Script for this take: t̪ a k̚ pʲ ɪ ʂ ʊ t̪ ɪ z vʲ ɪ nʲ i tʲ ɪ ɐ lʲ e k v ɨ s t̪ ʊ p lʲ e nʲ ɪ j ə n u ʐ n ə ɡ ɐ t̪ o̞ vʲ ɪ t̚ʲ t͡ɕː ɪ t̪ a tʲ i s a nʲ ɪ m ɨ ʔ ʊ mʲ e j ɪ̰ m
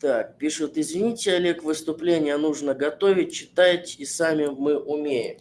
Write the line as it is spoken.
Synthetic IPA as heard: t̪ a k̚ pʲ i ʂ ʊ t̪ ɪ z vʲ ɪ nʲ i tʲ ɪ ɐ lʲ e k v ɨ s t̪ ʊ p lʲ e nʲ ɪ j ə n u ʐ n ə ɡ ɐ t̪ o̞ vʲ ɪ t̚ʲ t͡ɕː ɪ t̪ a tʲ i s a mʲ ɪ m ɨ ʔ ʊ mʲ e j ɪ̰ m